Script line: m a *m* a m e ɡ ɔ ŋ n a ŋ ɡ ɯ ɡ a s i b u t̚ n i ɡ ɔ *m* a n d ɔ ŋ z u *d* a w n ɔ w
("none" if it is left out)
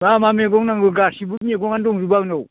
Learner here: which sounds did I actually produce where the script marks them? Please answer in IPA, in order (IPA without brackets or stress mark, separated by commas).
m, ŋ, b